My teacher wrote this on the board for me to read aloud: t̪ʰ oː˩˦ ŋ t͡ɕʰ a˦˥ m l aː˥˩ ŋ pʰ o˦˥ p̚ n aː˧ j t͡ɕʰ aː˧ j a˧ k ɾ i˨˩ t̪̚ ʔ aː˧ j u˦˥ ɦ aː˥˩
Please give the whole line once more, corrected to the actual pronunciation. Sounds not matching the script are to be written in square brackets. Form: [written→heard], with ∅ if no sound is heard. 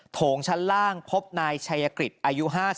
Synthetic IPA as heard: t̪ʰ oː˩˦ ŋ t͡ɕʰ a˦˥ [m→n] l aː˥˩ ŋ pʰ o˦˥ p̚ n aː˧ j t͡ɕʰ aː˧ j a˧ k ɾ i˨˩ t̪̚ ʔ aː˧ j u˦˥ ɦ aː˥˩